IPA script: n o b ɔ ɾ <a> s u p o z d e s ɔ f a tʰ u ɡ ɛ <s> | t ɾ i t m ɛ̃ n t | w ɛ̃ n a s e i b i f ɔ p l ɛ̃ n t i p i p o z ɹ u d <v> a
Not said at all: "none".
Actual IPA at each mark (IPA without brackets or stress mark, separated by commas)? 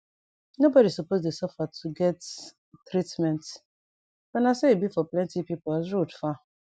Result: i, t, f